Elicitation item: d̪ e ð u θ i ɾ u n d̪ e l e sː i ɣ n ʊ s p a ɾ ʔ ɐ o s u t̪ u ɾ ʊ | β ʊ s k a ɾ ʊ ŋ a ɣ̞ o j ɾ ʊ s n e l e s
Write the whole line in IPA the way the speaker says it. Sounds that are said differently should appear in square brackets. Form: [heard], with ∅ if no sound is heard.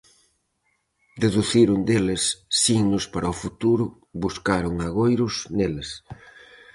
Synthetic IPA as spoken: d̪ e ð u θ i ɾ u n d̪ e l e sː i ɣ n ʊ s p a ɾ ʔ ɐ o [f] u t̪ u ɾ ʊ | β [u] s k a ɾ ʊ ŋ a ɣ̞ o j ɾ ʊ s n e l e s